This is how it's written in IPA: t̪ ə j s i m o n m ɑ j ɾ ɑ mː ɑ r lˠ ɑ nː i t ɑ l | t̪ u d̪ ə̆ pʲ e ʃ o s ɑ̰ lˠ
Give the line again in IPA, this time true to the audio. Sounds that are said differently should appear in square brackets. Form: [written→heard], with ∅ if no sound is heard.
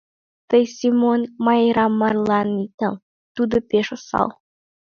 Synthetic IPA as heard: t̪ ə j s i m o n m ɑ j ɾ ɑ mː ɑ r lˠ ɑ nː i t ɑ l | t̪ u d̪ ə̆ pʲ e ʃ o s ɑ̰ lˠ